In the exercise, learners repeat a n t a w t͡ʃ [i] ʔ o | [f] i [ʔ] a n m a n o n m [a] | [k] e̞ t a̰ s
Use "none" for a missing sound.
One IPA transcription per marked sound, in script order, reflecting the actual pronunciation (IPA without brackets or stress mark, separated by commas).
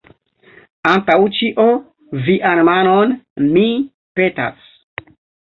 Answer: i, v, ʔ, i, p